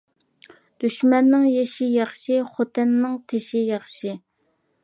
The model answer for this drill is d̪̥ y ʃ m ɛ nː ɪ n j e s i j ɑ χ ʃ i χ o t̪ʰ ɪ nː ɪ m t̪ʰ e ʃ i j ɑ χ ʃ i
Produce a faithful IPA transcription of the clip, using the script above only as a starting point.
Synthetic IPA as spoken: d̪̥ y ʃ m ɛ nː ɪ ŋ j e ʃ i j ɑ χ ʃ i χ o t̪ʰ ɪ nː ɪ ŋ t̪ʰ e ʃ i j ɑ χ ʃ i